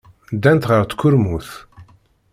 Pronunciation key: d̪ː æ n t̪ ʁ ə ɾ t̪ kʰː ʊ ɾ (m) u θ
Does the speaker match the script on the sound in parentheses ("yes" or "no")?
yes